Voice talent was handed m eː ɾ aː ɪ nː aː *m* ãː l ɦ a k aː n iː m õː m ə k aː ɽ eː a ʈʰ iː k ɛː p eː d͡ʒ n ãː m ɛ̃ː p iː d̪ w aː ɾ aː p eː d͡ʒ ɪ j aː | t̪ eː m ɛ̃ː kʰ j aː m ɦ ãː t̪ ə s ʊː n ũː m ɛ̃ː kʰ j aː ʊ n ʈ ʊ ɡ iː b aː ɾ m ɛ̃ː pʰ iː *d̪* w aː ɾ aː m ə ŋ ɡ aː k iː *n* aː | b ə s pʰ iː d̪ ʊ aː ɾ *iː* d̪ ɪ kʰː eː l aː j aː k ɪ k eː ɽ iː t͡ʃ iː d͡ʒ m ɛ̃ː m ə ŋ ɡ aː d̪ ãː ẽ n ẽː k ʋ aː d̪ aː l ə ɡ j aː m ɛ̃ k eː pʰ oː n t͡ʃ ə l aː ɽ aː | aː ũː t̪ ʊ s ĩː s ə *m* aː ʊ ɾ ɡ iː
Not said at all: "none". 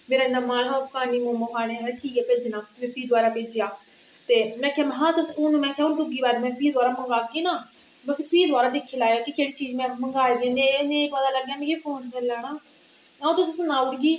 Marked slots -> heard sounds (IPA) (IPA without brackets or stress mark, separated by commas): m, d̪, n, aː, n